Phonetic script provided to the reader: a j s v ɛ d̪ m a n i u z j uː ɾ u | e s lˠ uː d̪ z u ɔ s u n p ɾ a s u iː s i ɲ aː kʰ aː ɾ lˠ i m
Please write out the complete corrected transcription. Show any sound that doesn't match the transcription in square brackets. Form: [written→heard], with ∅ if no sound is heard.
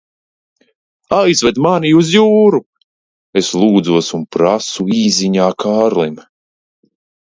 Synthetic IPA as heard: a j [s→z] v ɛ d̪ m a n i u z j uː ɾ u | e s lˠ uː d̪ z u ɔ s u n p ɾ a s u iː [s→z] i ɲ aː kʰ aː ɾ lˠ i m

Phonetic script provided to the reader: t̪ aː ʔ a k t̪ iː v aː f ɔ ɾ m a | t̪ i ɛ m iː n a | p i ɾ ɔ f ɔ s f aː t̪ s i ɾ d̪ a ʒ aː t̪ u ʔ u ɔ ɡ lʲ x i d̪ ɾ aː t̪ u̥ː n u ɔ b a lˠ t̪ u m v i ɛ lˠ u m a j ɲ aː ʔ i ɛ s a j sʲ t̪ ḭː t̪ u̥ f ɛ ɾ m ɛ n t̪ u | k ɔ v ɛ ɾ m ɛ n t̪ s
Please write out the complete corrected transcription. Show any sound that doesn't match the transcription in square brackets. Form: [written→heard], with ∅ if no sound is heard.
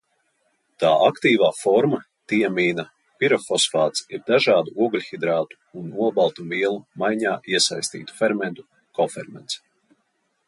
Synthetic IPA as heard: t̪ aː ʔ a k t̪ iː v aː f ɔ ɾ m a | t̪ i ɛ m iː n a | p i ɾ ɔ f ɔ s f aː t̪ s i ɾ d̪ a ʒ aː [t̪→d̪] u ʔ u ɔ ɡ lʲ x i d̪ ɾ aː t̪ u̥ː n u ɔ b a lˠ t̪ u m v i ɛ lˠ u m a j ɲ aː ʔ i ɛ s a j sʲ t̪ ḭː t̪ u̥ f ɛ ɾ m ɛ n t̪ u | k ɔ [v→f] ɛ ɾ m ɛ n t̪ s

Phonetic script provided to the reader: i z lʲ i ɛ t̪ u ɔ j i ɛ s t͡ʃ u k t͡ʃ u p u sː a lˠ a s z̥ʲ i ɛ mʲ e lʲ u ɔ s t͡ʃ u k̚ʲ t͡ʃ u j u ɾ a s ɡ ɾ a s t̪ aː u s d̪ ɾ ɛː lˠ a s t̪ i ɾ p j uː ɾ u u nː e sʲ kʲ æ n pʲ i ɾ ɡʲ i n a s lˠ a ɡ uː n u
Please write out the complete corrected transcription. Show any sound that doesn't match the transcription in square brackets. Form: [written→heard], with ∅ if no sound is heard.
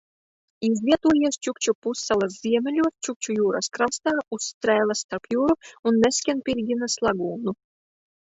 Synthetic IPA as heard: i z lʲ i ɛ t̪ u ɔ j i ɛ s t͡ʃ u k t͡ʃ u p u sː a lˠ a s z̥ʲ i ɛ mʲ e lʲ u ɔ s t͡ʃ u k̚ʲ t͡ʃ u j [u→uː] ɾ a s [ɡ→k] ɾ a s t̪ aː u s [d̪→t̪] ɾ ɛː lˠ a s t̪ [i→a] ɾ p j uː ɾ u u nː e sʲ kʲ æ n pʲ i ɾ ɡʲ i n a s lˠ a ɡ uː n u

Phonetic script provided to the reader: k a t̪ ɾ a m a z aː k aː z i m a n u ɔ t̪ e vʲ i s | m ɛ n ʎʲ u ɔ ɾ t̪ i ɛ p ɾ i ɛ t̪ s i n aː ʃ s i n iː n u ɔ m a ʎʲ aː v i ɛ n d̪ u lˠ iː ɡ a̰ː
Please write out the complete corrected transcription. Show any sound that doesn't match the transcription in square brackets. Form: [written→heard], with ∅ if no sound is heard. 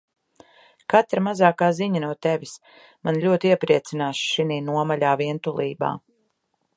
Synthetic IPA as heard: k a t̪ ɾ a m a z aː k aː z i [m→ɲ] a n u ɔ t̪ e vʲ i s | m [ɛ→a] n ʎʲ u ɔ [ɾ→∅] t̪ i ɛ p ɾ i ɛ t̪ s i n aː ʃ [s→ʃ] i n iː n u ɔ m a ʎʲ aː v i ɛ n [d̪→t̪] u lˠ iː [ɡ→b] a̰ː

